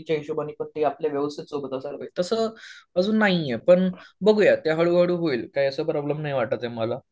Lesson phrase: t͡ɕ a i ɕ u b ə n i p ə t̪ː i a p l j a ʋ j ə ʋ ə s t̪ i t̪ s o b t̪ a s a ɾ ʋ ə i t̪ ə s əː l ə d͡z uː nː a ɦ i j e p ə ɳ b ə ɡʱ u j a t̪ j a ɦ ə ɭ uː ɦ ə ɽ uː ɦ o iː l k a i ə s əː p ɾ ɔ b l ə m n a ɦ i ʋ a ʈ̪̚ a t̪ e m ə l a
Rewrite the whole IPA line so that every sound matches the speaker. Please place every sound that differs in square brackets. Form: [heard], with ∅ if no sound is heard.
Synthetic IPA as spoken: t͡ɕ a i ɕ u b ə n i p ə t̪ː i a p l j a ʋ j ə ʋ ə s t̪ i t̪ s o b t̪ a s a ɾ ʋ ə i t̪ ə s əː [∅] ə d͡z uː nː a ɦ i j e p ə ɳ b ə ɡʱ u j a t̪ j a ɦ ə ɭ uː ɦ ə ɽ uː ɦ o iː l k a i ə s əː p ɾ ɔ b l ə m n a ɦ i ʋ a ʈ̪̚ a t̪ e m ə l a